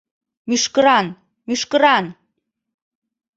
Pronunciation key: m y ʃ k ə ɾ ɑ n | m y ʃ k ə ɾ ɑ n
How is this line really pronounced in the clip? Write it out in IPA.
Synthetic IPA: m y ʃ k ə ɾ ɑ n | m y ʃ k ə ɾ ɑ n

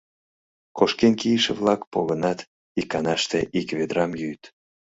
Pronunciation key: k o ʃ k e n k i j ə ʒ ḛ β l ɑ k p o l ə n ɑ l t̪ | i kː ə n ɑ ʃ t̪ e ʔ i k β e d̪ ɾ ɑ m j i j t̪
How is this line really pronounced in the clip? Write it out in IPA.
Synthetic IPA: k o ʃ k e n k i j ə ʃ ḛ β l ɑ k p o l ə n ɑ t̪ | i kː ɑ n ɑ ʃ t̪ e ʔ i k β e d̪ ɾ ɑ m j y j t̪

